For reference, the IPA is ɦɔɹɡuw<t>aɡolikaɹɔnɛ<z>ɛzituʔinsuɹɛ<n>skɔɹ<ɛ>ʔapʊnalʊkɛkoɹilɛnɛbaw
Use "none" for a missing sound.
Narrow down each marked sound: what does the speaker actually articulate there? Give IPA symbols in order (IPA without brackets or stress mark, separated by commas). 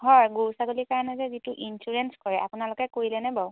s, z, n, ɛ